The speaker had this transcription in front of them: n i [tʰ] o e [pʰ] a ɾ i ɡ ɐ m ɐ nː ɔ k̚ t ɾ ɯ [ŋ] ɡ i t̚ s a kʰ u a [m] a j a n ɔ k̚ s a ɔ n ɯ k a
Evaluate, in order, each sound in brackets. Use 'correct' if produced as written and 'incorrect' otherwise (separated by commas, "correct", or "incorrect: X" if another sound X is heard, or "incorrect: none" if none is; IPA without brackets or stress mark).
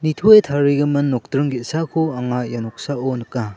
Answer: correct, incorrect: tʰ, correct, incorrect: ŋ